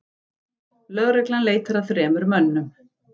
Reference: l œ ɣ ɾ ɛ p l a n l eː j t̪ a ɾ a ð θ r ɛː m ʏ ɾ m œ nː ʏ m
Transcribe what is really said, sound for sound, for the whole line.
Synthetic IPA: l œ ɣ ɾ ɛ k l a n l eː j t̪ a ɾ a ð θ ɾ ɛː m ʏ ɾ m œ nː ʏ m